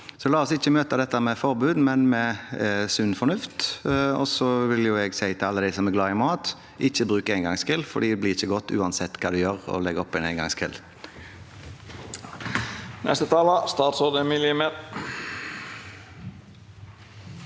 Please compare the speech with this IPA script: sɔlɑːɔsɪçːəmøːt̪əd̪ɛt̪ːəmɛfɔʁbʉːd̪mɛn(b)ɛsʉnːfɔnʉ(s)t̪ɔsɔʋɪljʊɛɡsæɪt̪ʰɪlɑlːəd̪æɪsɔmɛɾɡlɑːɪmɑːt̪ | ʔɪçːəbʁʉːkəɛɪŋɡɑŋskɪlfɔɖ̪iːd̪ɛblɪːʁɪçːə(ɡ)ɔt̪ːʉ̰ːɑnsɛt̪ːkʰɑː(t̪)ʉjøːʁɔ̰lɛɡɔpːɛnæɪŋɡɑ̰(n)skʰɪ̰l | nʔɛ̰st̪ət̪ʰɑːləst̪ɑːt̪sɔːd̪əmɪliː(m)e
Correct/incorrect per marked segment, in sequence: incorrect, incorrect, correct, incorrect, incorrect, correct

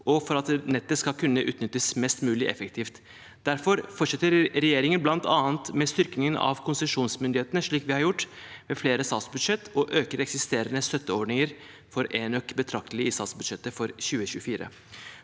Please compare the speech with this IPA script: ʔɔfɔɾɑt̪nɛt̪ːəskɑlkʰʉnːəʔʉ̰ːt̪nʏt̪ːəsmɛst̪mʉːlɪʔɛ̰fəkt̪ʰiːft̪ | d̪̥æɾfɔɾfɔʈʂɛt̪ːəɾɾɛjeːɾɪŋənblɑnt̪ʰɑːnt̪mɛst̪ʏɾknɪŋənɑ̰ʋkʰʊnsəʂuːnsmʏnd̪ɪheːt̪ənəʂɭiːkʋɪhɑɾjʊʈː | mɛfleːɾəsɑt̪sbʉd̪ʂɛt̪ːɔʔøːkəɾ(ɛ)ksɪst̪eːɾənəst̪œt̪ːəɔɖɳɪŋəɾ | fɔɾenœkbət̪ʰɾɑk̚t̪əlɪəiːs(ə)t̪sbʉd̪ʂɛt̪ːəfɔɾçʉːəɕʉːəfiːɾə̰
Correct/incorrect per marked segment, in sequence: correct, incorrect

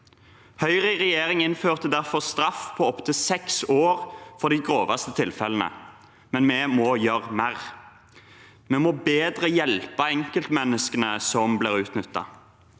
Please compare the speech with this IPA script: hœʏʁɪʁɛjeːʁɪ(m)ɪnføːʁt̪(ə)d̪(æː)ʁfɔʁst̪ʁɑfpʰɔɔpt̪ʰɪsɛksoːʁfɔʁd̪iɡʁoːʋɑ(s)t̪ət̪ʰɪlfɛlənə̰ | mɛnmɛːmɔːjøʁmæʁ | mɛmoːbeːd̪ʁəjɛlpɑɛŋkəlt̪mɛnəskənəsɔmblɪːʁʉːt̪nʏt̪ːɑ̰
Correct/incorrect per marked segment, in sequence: incorrect, correct, incorrect, correct

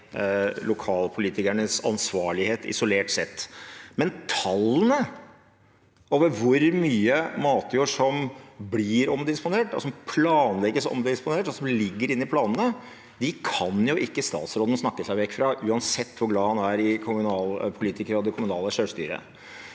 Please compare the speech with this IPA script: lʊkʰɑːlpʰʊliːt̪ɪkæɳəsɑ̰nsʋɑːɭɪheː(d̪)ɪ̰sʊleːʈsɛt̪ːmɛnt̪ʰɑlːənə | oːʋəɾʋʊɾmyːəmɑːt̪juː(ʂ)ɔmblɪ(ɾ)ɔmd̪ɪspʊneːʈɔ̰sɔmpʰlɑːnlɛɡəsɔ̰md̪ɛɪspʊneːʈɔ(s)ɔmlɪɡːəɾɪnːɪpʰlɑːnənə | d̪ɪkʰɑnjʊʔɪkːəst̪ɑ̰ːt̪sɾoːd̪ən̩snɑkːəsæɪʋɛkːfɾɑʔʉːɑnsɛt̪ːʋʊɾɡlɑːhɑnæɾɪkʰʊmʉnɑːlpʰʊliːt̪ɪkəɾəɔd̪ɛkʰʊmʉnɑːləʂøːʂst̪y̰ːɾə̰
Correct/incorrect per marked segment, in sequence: incorrect, correct, correct, correct

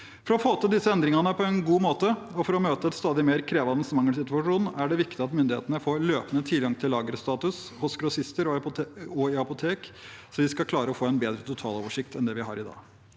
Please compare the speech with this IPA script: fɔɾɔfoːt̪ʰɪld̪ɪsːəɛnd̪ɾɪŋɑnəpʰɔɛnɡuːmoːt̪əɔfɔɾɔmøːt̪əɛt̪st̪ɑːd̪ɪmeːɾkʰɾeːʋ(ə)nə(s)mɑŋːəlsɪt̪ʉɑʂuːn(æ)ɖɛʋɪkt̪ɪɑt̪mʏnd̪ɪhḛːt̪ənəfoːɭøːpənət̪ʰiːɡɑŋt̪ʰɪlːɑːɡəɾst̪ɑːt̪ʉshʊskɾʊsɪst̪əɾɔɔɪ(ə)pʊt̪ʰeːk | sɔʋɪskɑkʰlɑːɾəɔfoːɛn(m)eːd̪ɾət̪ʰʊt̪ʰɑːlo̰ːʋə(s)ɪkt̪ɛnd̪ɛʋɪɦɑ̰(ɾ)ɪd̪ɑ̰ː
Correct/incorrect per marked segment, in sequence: incorrect, correct, correct, incorrect, incorrect, incorrect, correct

